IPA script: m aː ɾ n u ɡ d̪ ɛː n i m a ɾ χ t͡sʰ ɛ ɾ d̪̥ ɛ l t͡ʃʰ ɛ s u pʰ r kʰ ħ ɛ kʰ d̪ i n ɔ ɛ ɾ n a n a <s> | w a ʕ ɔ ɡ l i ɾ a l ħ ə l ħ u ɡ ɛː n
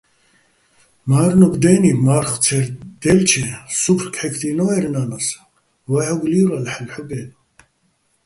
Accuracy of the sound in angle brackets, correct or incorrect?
correct